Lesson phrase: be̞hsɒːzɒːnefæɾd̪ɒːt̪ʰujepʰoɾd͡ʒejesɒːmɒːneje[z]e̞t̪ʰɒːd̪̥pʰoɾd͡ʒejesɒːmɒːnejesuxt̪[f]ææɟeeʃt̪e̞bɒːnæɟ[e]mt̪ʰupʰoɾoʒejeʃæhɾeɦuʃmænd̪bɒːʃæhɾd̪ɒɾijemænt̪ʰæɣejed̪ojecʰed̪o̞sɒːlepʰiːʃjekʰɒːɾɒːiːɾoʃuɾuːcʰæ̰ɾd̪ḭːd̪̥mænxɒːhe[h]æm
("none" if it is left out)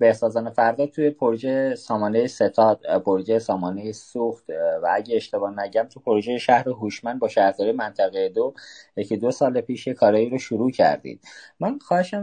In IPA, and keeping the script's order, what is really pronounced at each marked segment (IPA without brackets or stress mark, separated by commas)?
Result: s, v, æ, ʃ